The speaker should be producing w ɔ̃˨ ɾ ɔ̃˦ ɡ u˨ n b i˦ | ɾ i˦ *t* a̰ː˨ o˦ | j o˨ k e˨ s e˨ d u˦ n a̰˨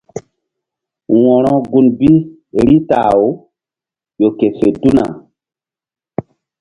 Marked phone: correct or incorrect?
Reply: correct